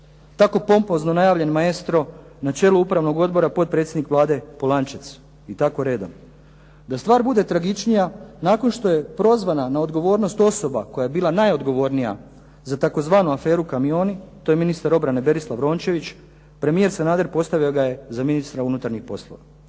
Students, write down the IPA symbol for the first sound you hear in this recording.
t̪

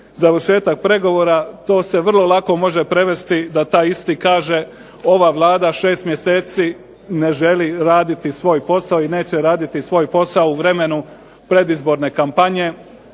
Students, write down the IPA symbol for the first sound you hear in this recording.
z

